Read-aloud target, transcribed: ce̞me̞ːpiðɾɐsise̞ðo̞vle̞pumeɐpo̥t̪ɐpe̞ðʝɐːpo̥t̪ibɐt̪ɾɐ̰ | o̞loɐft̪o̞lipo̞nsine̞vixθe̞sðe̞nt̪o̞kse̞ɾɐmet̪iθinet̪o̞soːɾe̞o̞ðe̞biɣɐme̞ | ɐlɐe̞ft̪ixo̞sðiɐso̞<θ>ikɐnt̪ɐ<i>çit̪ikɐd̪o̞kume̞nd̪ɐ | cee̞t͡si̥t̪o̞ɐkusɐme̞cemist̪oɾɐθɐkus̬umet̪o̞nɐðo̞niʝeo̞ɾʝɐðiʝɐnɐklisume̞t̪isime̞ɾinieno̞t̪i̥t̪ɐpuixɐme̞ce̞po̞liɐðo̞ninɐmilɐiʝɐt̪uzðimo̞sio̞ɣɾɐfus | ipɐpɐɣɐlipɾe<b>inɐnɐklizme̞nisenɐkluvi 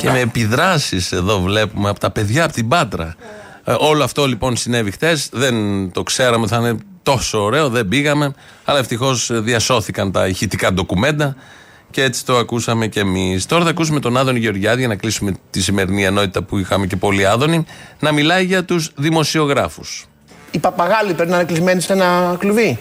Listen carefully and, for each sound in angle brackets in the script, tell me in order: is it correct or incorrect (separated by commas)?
correct, correct, incorrect